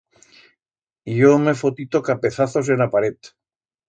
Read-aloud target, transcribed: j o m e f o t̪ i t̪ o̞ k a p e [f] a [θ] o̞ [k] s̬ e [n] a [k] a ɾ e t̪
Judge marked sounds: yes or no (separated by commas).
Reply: no, yes, no, yes, no